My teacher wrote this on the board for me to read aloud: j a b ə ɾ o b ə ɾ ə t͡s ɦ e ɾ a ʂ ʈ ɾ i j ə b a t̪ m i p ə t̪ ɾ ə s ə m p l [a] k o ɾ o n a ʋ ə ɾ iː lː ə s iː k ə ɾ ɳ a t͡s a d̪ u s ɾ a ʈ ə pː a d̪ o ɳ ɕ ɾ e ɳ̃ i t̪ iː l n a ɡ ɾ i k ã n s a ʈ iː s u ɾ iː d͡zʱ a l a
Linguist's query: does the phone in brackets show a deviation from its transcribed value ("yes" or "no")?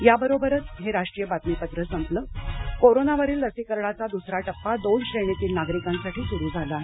yes